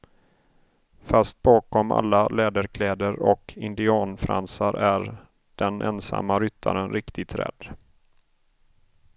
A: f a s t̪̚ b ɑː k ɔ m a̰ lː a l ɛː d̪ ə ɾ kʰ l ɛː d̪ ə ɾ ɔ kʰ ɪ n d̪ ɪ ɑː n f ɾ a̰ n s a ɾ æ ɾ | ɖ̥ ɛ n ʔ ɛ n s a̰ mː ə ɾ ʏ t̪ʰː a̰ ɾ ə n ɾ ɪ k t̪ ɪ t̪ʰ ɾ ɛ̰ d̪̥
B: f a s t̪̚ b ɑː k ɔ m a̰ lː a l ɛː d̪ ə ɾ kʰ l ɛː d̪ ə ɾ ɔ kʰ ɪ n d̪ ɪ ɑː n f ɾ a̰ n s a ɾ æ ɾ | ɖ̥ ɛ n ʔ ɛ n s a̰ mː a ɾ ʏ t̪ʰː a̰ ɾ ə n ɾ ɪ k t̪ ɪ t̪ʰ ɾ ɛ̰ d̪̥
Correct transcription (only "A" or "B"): B